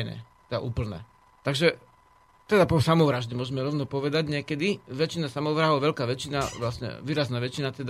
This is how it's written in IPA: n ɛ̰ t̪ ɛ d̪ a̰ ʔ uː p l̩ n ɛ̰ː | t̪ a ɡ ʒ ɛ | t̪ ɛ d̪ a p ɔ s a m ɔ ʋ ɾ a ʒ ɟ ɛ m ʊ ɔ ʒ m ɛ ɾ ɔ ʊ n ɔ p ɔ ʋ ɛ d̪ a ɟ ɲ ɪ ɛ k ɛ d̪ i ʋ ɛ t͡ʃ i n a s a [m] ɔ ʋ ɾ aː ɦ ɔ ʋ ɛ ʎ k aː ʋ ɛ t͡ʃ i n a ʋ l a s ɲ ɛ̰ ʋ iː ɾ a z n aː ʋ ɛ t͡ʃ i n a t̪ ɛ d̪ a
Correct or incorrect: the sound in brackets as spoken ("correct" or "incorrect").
correct